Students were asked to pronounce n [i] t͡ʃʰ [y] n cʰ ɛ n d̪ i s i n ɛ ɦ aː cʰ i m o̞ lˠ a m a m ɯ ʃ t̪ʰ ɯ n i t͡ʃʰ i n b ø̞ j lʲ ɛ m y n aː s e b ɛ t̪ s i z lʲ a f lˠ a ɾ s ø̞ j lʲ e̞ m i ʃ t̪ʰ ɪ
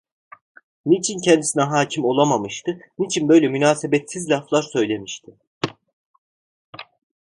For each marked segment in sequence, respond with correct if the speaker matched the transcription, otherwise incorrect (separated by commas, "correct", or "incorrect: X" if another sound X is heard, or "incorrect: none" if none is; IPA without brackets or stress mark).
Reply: correct, incorrect: i